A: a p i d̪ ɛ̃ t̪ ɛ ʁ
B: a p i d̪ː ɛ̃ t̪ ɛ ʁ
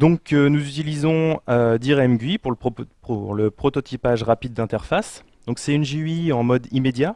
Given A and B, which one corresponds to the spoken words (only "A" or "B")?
B